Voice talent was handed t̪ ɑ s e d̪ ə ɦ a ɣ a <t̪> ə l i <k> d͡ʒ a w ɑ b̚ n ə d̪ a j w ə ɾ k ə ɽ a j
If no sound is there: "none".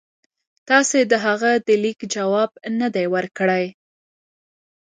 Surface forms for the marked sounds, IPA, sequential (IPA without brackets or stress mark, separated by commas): d̪, k